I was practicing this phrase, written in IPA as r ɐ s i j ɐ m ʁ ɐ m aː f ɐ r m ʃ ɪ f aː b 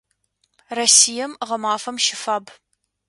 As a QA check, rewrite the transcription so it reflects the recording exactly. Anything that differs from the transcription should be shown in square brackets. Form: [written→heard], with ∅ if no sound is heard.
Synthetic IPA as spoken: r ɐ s i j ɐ m ʁ ɐ m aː f ɐ [r→∅] m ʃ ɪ f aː b